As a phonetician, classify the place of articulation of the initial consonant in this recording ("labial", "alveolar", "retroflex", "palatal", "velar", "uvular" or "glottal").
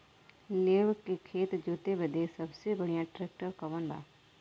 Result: alveolar